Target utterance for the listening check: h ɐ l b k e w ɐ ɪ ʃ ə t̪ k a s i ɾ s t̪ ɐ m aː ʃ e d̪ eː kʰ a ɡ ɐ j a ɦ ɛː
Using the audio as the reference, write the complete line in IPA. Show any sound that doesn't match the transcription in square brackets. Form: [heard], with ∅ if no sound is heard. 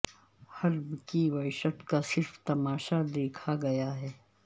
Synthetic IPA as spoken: h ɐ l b k [i] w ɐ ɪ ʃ ə t̪ k a s [ɪ] ɾ [f] t̪ ɐ m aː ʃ [a] d̪ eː kʰ a ɡ ɐ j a ɦ ɛː